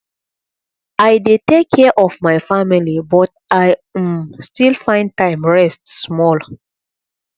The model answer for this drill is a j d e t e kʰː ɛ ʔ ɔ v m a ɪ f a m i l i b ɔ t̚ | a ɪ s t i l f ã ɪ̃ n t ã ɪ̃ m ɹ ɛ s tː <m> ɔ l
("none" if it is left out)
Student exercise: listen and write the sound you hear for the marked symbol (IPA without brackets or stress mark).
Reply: m